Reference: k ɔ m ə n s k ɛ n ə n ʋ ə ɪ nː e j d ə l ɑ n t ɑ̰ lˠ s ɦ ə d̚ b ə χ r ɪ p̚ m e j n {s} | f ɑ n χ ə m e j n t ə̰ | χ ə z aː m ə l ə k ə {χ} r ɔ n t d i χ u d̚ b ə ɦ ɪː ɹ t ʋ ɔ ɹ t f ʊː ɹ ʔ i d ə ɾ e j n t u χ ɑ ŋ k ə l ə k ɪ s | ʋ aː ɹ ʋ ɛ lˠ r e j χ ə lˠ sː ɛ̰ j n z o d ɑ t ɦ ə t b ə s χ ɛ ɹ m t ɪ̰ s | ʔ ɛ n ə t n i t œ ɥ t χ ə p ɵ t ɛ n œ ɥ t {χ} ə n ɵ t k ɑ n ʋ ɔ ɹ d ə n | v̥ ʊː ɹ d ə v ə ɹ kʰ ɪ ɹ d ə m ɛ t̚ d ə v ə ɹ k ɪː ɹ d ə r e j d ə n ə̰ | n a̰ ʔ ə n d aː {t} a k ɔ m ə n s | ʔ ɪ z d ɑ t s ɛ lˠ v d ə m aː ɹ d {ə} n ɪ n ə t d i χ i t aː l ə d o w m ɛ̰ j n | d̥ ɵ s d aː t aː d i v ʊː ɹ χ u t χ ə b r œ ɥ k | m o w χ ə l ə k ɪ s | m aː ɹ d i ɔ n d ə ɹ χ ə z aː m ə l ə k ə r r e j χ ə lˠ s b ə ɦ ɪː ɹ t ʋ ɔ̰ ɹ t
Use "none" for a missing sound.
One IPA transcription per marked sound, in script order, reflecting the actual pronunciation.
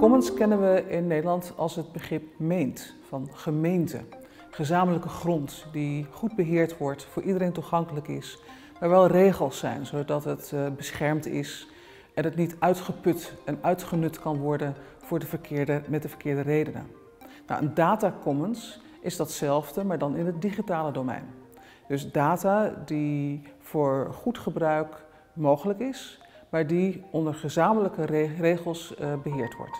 t, χ, χ, t, ɑ

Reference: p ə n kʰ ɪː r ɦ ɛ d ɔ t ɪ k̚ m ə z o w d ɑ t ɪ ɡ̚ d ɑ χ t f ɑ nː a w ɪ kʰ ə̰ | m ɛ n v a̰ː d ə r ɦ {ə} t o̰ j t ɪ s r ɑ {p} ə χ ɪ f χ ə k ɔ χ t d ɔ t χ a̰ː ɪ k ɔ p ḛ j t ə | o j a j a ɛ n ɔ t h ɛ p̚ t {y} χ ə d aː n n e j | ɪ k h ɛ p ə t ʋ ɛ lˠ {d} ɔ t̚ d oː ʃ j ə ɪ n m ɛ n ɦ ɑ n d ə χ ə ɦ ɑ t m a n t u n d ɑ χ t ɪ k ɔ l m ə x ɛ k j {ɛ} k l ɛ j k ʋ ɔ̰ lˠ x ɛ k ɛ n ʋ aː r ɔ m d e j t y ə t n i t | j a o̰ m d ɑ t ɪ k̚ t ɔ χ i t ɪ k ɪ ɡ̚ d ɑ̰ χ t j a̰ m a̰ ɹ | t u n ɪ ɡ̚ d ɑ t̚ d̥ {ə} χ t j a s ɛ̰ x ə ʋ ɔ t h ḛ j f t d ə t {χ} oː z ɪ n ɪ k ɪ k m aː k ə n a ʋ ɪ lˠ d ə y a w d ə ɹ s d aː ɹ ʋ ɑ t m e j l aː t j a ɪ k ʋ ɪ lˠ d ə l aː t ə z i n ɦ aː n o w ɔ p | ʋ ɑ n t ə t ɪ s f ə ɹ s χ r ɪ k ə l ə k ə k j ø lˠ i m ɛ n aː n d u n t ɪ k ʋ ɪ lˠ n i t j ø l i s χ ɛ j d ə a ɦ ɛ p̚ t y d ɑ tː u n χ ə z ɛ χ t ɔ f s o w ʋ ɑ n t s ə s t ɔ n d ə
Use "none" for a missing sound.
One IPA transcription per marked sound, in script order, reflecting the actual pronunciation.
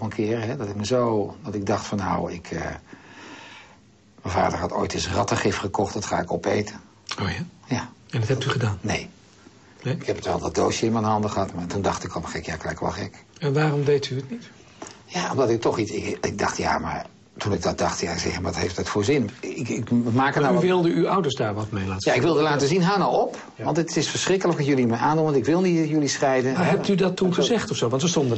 ɑ, t, y, d, a, ɑ, f

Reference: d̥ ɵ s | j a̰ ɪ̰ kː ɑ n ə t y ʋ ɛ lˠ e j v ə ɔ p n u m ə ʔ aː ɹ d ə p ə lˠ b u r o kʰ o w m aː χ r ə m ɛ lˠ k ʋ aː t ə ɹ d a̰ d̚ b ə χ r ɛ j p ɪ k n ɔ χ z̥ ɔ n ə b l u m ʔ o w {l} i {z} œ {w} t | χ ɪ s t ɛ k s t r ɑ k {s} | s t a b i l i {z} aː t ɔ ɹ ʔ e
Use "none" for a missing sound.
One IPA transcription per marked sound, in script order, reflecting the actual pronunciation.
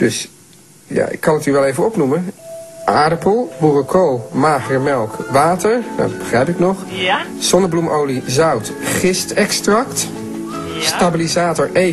l, z, w, t, z

